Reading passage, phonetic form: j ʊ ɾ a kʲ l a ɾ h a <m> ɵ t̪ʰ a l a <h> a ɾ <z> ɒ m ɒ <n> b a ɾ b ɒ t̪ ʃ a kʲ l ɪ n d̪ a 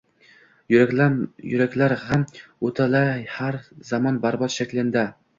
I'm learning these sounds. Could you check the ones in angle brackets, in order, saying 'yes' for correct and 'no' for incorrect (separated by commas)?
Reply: yes, yes, yes, yes